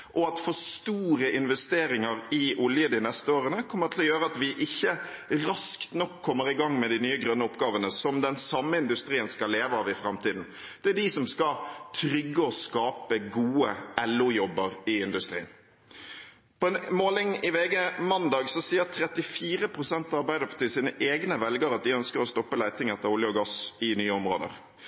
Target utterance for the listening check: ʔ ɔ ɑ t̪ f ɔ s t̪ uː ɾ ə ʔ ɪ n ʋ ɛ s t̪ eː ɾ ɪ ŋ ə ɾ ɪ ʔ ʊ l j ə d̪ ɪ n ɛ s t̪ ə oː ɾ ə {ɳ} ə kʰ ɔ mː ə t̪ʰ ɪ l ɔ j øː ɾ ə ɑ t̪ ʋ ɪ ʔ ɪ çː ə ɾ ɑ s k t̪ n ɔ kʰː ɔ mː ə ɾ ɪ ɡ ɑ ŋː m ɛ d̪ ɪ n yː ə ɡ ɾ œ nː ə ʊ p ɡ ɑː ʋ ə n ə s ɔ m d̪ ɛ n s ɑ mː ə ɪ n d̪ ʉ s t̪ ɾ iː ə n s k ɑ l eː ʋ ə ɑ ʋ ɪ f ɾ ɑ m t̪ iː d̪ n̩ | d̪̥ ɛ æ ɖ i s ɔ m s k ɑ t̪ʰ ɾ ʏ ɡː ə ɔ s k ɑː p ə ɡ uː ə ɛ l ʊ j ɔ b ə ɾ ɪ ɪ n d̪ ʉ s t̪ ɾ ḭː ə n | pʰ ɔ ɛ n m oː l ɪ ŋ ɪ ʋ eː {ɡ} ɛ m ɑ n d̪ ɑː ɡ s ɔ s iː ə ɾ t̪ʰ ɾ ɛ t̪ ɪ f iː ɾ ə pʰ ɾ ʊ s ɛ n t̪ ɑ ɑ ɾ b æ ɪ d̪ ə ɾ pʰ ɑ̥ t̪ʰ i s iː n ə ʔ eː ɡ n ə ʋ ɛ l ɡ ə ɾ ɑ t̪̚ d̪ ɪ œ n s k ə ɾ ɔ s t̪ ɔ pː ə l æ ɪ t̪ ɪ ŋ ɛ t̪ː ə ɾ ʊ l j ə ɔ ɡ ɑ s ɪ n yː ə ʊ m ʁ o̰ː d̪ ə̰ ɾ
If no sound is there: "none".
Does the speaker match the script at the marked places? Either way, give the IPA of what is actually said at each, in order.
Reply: n, ɡ

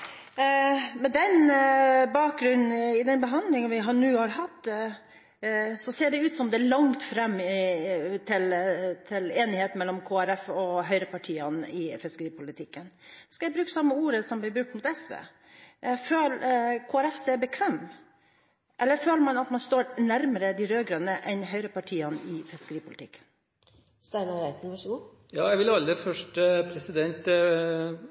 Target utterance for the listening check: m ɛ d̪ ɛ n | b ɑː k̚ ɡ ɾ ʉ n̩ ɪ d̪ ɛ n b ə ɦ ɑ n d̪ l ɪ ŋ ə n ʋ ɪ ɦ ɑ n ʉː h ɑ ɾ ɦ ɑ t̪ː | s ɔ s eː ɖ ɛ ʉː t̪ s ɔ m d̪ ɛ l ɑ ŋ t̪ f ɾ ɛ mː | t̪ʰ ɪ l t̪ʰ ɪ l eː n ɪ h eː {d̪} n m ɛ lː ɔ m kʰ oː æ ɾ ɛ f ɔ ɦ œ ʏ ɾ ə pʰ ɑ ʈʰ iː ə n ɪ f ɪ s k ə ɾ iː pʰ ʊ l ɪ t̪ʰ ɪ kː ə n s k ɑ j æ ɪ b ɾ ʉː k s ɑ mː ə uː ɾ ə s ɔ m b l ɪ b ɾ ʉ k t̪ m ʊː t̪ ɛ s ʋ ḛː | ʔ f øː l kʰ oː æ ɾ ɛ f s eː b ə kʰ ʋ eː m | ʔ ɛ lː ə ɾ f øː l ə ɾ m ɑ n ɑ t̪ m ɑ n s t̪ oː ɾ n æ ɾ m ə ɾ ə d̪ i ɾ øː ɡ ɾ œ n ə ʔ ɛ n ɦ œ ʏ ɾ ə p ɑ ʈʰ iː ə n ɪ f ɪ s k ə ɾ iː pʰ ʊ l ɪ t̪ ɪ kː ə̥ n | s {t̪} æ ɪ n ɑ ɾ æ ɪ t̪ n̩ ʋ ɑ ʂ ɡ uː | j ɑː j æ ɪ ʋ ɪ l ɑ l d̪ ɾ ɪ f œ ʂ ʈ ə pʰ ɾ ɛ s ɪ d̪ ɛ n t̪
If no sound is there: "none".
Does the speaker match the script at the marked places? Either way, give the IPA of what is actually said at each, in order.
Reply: t̪, t̪

